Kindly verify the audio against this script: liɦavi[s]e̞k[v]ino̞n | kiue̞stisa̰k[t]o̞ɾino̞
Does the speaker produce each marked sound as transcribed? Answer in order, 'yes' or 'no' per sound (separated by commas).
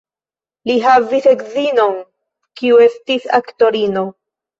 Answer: yes, no, yes